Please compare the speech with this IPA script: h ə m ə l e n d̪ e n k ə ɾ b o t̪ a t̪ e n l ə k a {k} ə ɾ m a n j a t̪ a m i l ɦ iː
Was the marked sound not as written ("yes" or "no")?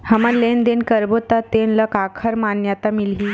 yes